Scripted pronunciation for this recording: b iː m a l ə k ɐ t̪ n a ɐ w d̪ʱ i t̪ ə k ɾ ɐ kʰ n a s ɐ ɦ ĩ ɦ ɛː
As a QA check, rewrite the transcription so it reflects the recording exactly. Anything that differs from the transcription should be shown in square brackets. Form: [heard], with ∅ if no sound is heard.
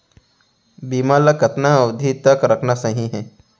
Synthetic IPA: b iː m a l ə k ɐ t̪ n a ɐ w d̪ʱ i t̪ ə k ɾ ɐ kʰ n a s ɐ ɦ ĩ ɦ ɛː